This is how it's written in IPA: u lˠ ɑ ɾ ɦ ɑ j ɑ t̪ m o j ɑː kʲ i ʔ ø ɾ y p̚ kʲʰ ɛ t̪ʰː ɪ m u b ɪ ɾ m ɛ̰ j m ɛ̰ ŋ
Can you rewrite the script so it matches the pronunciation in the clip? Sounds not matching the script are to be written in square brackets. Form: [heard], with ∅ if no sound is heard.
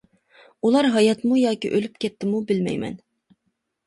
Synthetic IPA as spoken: u lˠ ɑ ɾ ɦ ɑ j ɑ t̪ m [u] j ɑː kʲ i ʔ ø [l] y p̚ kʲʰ ɛ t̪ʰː ɪ m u b ɪ [l] m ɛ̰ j m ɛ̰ [n]